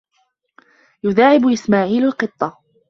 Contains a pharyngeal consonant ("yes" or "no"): yes